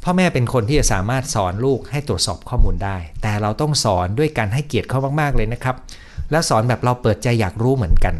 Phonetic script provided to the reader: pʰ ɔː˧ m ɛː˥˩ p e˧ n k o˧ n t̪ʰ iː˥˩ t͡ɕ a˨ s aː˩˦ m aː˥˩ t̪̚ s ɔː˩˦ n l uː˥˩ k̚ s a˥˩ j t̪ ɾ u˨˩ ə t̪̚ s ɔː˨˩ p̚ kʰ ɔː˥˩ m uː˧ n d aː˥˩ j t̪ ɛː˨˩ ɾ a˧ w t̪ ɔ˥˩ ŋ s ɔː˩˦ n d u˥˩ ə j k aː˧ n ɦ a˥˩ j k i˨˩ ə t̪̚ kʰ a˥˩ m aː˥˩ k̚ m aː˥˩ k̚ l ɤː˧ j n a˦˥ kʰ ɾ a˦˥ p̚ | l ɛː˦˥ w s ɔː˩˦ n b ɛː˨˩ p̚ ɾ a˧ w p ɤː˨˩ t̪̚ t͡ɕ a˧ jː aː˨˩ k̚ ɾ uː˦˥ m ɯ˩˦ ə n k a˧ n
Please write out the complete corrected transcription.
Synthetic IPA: pʰ ɔː˥˩ m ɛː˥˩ p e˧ n kʰ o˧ n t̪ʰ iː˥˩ t͡ɕ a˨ s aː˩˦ m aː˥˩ t̪̚ s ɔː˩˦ n l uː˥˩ k̚ h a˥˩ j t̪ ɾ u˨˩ ə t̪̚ s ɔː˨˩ p̚ kʰ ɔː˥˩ m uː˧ n d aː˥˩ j t̪ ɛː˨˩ ɾ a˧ w t̪ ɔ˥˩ ŋ s ɔː˩˦ n d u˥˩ ə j k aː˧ n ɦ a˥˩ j k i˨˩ ə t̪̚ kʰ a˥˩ m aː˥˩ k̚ m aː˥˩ k̚ l ɤː˧ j n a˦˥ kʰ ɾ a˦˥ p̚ | l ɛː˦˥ w s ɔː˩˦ n b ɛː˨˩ p̚ ɾ a˧ w p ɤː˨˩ t̪̚ t͡ɕ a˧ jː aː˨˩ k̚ ɾ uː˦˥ m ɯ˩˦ ə n k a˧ n